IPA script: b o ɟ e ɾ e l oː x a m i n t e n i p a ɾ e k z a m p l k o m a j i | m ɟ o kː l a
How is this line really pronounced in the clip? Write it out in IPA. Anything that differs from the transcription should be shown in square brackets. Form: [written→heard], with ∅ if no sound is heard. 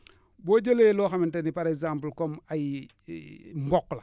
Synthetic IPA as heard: b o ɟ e [ɾ→l] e l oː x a m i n t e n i p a ɾ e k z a m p l k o m a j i | m [ɟ→b] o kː l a